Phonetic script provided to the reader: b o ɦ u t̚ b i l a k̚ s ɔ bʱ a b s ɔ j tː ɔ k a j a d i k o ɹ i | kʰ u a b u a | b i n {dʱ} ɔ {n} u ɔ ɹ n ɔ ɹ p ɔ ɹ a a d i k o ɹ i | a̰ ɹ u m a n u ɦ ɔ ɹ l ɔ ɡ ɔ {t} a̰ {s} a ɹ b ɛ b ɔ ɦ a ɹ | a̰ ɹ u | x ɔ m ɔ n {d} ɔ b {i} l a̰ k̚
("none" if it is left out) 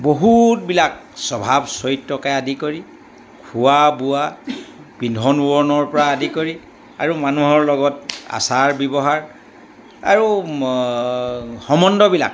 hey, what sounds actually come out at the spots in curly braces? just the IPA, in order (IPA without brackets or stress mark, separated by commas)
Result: dʱ, n, t, s, d, i